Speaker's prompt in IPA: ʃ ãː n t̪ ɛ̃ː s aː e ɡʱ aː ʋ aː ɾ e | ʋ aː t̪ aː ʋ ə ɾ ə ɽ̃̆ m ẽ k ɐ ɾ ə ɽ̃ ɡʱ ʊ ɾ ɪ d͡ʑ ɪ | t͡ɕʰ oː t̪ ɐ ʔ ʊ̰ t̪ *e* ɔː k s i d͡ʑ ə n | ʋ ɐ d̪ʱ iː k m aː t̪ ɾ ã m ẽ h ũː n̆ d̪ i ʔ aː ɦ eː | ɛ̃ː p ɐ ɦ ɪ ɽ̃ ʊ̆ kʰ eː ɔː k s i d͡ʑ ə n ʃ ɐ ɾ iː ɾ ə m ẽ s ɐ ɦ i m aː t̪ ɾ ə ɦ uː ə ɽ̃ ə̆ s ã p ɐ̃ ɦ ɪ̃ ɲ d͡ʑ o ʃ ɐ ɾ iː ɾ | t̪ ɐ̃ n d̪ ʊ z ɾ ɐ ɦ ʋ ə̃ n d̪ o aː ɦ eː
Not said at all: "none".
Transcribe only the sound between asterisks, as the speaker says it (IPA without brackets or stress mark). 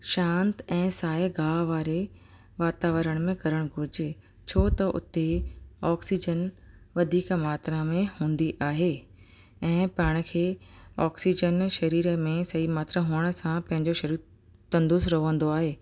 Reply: e